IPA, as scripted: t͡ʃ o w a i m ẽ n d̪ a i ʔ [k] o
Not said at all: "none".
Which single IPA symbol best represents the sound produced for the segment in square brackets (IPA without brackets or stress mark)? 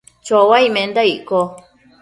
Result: k